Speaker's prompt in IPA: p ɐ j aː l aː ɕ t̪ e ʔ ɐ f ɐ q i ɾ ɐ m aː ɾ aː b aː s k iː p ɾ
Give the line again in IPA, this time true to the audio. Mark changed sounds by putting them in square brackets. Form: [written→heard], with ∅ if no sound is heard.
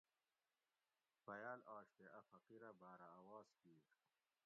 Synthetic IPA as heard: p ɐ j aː l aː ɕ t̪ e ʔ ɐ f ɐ q i ɾ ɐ [m→b] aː ɾ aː [b→w] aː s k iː [p→∅] ɾ